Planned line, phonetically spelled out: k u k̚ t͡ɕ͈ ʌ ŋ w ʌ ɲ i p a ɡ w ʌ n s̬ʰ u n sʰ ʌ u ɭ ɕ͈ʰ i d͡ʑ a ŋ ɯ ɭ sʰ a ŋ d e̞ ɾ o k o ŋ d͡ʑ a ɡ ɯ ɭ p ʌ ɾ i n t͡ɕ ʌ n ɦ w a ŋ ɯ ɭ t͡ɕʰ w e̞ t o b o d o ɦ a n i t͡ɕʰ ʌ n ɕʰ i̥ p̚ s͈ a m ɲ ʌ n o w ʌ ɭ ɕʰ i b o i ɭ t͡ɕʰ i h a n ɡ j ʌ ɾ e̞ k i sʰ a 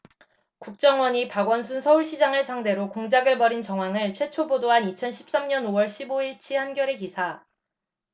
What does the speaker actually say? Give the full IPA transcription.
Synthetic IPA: k u k̚ t͡ɕ͈ ʌ ŋ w ʌ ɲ i p a ɡ w ʌ n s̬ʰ u n sʰ ʌ u ɭ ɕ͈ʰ i d͡ʑ a ŋ ɯ ɭ sʰ a ŋ d e̞ ɾ o k o ŋ d͡ʑ a ɡ ɯ ɭ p ʌ ɾ i n t͡ɕ ʌ ŋ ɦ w a ŋ ɯ ɭ t͡ɕʰ w e̞ t͡ɕʰ o b o d o ɦ a n i t͡ɕʰ ʌ n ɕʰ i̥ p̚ s͈ a m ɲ ʌ n o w ʌ ɭ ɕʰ i b o i ɭ t͡ɕʰ i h a n ɡ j ʌ ɾ e̞ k i sʰ a